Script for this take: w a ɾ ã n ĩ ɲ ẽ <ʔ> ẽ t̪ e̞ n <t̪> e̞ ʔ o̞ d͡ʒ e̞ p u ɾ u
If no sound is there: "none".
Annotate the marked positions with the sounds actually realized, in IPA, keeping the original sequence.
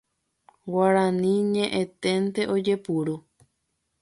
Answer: ʔ, t̪

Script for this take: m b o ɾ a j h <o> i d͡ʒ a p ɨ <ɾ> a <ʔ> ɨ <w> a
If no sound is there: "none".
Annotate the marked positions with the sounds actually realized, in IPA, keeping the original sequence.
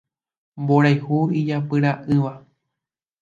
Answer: u, ɾ, ʔ, ʋ

